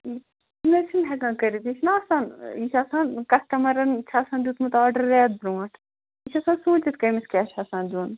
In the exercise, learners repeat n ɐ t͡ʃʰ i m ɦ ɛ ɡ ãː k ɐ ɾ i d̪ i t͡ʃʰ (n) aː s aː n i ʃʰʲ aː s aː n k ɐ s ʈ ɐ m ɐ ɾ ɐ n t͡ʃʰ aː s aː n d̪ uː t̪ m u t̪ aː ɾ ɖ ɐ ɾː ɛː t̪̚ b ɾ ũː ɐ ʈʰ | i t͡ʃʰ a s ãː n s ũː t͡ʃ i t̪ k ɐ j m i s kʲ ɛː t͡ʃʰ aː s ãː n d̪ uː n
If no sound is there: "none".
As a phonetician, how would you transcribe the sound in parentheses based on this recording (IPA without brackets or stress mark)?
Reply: n